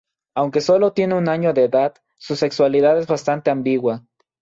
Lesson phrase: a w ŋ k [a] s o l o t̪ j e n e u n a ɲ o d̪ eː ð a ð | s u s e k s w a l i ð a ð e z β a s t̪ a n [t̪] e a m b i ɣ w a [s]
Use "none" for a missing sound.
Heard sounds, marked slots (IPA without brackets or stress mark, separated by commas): e, t̪, none